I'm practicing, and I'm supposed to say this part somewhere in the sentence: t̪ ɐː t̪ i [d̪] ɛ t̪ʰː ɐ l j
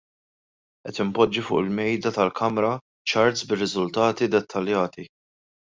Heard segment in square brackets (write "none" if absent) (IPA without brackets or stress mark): d̪